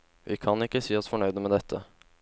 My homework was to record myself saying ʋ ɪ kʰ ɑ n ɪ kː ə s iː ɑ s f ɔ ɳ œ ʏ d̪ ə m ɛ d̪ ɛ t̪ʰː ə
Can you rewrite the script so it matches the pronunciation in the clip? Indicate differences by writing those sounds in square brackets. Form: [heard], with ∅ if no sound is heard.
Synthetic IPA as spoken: ʋ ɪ kʰ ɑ n ɪ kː ə s iː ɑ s f ɔ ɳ œ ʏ d̪ ə m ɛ d̪ ɛ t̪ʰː ə